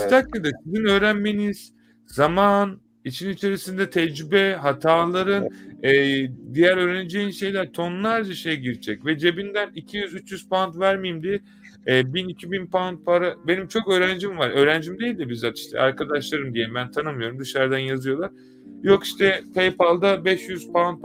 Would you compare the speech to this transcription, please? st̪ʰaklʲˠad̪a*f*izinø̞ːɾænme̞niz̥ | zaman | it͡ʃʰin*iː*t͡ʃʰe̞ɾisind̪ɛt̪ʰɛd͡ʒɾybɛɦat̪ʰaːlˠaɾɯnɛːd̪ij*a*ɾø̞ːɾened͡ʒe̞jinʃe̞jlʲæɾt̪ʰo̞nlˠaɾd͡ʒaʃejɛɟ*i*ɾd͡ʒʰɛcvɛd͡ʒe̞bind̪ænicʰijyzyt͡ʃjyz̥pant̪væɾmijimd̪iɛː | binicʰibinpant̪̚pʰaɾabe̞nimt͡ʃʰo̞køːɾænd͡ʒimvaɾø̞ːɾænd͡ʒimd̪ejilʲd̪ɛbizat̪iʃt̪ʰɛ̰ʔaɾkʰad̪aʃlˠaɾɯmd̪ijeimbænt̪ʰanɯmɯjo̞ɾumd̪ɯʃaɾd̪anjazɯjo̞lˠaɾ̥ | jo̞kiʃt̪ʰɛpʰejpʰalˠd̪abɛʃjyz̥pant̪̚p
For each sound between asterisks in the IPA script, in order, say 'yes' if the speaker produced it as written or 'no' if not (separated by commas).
no, no, no, yes